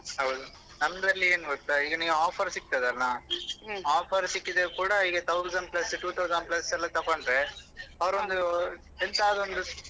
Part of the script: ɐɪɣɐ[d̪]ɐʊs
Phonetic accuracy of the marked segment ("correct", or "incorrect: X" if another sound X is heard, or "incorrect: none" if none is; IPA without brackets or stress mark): incorrect: t̪